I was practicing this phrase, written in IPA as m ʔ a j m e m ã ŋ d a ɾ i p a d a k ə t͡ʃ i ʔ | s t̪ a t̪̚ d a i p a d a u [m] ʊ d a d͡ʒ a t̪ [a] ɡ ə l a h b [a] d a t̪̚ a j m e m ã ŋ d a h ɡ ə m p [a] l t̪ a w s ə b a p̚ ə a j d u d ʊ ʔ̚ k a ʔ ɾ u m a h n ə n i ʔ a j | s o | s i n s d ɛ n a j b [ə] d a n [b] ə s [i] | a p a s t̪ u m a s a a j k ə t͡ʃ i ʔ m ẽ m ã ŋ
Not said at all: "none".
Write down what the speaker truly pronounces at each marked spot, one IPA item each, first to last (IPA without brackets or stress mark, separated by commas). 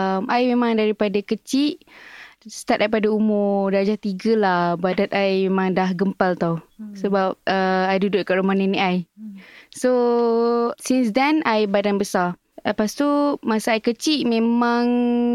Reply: m, i, a, a, a, b, a